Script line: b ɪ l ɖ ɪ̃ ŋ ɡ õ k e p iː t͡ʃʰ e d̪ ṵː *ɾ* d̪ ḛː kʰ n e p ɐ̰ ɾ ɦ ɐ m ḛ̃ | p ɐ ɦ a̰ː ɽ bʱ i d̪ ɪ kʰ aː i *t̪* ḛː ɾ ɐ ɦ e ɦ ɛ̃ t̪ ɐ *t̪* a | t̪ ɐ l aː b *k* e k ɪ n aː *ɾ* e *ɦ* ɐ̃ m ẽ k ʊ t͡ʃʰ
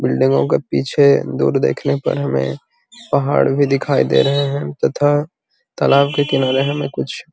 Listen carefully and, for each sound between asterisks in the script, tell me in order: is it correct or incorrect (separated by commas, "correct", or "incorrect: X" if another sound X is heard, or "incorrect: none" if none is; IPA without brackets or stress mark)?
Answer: correct, incorrect: d̪, incorrect: t̪ʰ, correct, correct, correct